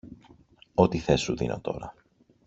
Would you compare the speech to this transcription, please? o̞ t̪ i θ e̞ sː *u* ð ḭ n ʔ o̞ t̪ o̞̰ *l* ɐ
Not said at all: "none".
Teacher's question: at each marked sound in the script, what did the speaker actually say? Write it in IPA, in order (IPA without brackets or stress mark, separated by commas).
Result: u, ɾ